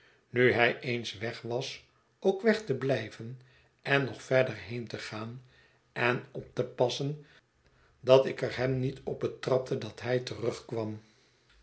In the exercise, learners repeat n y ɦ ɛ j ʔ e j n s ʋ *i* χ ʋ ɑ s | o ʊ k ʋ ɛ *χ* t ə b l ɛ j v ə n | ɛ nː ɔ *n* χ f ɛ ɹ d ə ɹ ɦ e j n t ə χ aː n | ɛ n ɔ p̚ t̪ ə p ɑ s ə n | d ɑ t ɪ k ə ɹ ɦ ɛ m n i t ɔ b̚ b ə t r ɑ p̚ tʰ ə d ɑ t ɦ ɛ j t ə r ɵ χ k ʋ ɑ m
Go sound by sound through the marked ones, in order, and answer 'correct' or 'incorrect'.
incorrect: ɛ, correct, incorrect: none

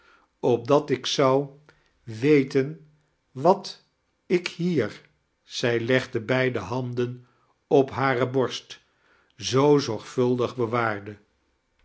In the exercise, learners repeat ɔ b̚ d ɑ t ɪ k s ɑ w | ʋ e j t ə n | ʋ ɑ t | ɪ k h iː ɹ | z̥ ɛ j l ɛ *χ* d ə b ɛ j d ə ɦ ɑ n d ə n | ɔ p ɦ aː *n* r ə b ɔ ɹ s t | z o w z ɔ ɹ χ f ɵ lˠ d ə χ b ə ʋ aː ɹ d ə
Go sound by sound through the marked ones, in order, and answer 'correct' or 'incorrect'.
correct, incorrect: none

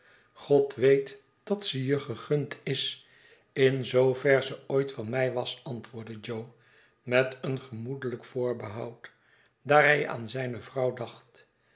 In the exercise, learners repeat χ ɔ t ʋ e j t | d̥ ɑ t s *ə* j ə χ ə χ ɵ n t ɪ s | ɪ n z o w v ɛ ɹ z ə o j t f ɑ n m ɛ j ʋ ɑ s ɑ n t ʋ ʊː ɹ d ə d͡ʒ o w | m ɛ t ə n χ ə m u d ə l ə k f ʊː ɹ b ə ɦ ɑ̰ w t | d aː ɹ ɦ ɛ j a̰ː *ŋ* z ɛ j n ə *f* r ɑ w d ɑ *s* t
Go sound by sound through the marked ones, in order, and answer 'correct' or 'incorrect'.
correct, incorrect: n, incorrect: v, incorrect: χ

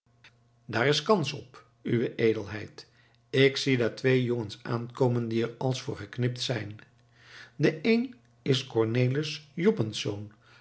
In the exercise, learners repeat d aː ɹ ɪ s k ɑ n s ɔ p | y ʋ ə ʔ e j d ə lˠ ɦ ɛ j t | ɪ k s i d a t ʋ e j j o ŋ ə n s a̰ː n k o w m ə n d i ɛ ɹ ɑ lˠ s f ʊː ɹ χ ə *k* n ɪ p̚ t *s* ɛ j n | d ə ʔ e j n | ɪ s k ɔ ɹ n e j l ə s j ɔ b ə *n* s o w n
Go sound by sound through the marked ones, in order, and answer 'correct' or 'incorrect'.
correct, correct, correct

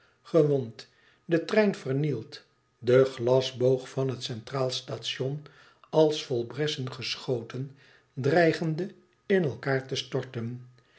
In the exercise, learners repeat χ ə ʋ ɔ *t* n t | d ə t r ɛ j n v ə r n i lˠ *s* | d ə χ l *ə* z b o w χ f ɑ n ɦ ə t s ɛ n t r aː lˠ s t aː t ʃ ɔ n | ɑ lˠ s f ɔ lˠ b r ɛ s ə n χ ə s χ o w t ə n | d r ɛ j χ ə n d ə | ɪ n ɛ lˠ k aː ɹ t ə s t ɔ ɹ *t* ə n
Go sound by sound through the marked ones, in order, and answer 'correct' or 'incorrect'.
incorrect: none, incorrect: t, incorrect: ɑ, correct

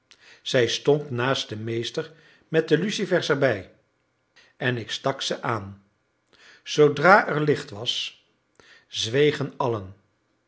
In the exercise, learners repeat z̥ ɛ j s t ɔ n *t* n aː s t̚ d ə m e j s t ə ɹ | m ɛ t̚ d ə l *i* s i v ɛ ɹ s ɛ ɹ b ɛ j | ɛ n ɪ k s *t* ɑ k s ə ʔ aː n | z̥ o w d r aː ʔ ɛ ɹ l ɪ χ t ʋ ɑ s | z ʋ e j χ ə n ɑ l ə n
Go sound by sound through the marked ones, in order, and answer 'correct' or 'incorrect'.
correct, incorrect: y, correct

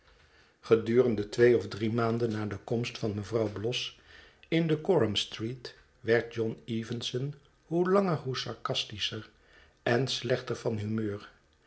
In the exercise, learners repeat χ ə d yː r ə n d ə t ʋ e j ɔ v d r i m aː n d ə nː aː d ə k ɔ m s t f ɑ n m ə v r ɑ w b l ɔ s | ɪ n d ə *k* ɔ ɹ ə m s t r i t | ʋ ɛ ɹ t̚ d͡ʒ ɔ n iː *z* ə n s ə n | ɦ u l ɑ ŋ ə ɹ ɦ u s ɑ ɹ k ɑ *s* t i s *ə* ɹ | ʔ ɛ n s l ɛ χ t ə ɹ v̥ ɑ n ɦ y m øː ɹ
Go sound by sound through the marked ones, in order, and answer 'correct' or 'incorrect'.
correct, incorrect: v, correct, correct

